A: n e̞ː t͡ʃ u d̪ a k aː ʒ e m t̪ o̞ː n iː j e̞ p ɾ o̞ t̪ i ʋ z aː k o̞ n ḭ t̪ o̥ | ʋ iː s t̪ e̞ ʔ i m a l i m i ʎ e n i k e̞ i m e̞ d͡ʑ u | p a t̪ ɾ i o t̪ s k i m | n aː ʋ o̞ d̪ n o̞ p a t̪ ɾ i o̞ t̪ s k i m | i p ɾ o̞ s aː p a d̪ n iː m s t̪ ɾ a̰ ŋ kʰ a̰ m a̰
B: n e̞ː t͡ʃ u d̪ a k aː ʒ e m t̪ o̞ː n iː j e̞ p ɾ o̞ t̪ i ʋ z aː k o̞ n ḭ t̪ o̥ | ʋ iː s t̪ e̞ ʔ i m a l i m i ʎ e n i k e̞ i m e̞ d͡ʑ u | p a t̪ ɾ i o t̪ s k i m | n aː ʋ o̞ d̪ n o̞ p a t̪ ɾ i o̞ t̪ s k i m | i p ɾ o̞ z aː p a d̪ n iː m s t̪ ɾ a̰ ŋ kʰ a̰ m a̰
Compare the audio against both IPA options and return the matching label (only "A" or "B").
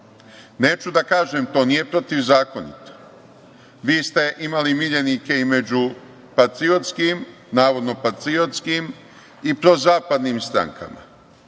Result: B